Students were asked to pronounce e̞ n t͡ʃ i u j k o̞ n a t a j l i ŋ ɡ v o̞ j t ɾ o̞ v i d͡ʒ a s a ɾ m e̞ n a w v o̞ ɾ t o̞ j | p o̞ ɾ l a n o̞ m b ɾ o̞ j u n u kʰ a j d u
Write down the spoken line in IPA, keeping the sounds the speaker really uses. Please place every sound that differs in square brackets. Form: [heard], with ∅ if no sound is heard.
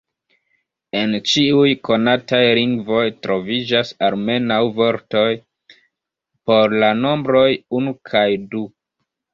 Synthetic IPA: e̞ n t͡ʃ i u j k o̞ n a t a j l i ŋ ɡ v o̞ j t ɾ o̞ v i d͡ʒ a s a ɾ m e̞ n a w v o̞ ɾ t o̞ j | p o̞ ɾ l a n o̞ m b ɾ o̞ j u n u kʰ a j d u